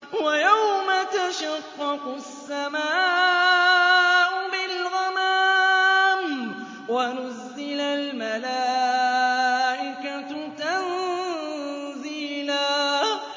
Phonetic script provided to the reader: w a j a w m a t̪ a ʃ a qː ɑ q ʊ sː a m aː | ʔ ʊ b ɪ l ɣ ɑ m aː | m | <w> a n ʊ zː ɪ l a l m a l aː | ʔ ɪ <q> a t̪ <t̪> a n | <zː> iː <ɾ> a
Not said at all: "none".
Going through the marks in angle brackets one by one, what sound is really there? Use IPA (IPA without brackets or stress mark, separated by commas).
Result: w, k, t̪, z, l